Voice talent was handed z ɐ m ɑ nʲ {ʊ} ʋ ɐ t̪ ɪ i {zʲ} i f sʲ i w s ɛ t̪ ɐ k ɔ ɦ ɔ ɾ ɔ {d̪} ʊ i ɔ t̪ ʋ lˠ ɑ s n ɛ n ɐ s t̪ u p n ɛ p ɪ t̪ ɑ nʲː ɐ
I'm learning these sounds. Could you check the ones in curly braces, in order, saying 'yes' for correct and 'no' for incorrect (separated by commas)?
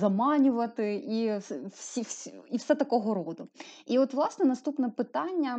yes, no, yes